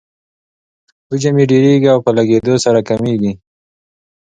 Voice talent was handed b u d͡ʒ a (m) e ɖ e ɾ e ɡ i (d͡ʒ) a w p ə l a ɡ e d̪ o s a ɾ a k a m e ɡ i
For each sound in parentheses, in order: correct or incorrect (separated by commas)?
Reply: correct, incorrect